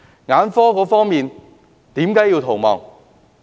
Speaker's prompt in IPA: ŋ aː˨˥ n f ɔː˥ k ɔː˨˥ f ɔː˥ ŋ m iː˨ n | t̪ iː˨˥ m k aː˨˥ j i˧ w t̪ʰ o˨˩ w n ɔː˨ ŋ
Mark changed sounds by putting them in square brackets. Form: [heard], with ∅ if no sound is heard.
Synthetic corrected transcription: ŋ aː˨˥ n f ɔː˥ k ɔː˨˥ f ɔː˥ ŋ m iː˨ n | t̪ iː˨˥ m k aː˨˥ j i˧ w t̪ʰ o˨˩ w [m] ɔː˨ ŋ

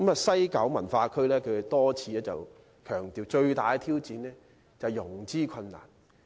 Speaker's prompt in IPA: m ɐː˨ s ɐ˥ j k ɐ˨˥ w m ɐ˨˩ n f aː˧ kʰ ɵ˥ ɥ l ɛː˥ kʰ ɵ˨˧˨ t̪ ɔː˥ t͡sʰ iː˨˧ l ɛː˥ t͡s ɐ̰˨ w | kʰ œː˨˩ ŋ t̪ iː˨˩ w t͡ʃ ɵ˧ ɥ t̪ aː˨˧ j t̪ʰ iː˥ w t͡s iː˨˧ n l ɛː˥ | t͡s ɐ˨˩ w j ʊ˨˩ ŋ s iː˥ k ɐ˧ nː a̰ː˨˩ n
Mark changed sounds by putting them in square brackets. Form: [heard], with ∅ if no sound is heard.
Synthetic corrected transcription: m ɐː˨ s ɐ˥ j k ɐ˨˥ w m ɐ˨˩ n f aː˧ kʰ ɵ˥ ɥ l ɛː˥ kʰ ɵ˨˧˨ t̪ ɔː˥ t͡sʰ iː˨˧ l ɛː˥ t͡s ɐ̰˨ w | kʰ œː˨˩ ŋ t̪ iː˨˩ w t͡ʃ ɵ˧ ɥ t̪ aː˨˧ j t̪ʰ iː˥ w t͡s iː˨˧ n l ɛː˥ | t͡s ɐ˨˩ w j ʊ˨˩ ŋ [t͡s] iː˥ [kʰ] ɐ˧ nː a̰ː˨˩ n

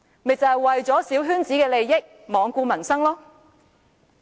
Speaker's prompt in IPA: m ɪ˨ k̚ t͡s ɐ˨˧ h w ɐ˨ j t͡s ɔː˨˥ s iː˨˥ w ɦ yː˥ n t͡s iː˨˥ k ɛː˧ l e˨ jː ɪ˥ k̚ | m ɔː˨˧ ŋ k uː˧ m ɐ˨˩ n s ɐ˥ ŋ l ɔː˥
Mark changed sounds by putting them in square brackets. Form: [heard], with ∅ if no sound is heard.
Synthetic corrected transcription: m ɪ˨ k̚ t͡s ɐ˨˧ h w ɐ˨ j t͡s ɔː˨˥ s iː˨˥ w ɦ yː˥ n t͡s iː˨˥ k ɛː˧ l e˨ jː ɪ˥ k̚ | m ɔː˨˧ ŋ k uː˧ m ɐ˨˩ n s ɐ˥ ŋ l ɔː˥

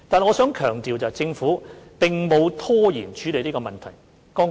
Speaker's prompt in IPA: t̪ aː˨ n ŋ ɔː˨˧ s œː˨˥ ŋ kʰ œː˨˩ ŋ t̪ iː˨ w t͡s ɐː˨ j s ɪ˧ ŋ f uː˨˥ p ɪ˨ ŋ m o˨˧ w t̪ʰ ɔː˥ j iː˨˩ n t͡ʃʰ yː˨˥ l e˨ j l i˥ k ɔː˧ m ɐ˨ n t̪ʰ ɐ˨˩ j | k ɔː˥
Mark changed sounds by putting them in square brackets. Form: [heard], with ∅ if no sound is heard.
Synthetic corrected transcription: t̪ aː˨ n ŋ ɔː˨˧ s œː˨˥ ŋ kʰ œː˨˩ ŋ t̪ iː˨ w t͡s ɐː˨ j [t͡s] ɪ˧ ŋ f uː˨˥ p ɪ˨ ŋ m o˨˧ w t̪ʰ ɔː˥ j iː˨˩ n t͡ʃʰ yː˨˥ l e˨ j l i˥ k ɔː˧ m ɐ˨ n t̪ʰ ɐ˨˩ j | k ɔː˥

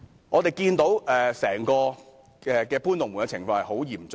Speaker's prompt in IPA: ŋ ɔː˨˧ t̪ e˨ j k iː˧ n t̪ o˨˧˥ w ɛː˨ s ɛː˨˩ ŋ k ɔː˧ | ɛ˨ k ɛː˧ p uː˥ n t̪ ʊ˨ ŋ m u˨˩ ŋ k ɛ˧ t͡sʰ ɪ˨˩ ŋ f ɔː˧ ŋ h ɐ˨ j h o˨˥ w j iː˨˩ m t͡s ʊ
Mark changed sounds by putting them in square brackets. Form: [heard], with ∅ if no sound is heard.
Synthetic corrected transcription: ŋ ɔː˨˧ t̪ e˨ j k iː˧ n t̪ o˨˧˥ w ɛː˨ s ɛː˨˩ ŋ k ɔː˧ | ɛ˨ k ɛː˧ p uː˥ n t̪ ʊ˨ ŋ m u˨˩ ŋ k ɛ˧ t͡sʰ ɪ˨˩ ŋ f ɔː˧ ŋ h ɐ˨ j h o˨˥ w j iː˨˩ m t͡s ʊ

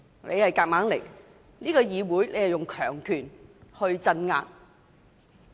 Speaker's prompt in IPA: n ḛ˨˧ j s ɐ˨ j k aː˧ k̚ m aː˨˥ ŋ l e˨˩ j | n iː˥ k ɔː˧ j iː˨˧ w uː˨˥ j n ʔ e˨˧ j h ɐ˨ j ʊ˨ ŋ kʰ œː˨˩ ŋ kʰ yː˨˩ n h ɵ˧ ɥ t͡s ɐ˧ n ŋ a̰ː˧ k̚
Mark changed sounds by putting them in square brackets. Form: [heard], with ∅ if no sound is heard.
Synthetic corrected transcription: n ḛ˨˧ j [h] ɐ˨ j k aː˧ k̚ m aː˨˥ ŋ l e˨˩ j | n iː˥ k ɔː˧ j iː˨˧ w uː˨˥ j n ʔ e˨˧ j h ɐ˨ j ʊ˨ ŋ kʰ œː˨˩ ŋ kʰ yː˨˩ n h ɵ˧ ɥ t͡s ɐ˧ n ŋ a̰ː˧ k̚

